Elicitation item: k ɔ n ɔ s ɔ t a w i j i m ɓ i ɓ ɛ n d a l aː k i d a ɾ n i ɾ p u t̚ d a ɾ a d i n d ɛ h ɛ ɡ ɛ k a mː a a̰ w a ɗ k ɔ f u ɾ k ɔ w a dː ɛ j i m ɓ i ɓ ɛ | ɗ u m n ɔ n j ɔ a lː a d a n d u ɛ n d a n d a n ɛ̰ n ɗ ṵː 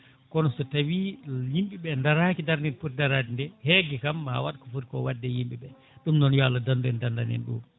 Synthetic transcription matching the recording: k ɔ n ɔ s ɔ t a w i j i m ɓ i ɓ ɛ n d a ɾ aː k i d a ɾ n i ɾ p u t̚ d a ɾ a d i n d ɛ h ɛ ɡ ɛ k a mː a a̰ w a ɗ k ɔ f u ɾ k ɔ w a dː ɛ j i m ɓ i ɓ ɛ | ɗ u m n ɔ n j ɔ a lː a d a n d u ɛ n d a n d a n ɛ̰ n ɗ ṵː